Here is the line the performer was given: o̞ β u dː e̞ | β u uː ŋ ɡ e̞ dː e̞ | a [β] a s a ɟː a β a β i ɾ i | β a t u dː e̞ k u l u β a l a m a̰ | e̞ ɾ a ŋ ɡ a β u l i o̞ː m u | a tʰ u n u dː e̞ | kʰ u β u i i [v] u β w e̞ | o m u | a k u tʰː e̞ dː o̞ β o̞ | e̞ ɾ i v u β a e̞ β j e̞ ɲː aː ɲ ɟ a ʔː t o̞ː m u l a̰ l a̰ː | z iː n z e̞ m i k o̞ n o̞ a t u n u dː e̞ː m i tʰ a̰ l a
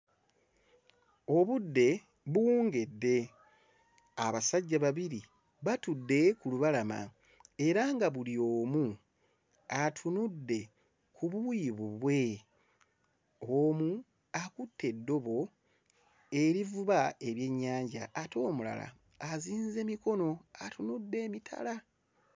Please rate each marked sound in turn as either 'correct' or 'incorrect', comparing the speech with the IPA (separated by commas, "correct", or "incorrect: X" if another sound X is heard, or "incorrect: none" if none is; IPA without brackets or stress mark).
correct, incorrect: β